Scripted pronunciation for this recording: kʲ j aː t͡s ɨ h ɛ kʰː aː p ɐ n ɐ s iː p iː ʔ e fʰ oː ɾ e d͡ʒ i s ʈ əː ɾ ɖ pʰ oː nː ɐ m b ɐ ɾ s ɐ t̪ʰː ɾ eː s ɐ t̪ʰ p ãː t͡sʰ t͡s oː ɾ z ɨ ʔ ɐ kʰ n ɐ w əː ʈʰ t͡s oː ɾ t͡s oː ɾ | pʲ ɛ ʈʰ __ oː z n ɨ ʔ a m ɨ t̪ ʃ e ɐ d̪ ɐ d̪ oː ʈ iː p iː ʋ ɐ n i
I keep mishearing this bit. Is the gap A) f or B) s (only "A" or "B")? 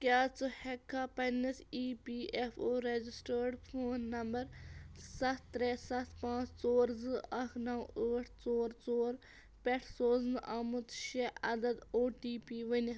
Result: B